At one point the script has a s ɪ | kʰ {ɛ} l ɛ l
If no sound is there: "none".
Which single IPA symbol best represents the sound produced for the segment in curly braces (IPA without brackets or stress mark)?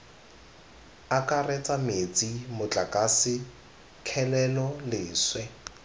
ɛ